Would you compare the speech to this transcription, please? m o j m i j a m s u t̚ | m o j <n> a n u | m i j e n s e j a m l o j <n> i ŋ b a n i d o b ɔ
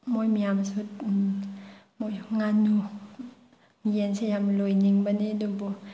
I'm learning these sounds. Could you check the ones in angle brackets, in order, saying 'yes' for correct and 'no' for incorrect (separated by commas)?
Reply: no, yes